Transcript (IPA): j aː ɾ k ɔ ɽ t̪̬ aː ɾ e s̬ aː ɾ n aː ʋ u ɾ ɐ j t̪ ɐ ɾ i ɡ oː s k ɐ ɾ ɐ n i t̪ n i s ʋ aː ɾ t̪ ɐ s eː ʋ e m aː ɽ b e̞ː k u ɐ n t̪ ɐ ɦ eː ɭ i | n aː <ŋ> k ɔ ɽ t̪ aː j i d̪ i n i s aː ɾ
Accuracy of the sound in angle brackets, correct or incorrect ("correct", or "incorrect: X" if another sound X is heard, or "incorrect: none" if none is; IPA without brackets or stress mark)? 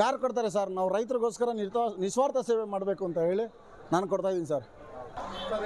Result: incorrect: n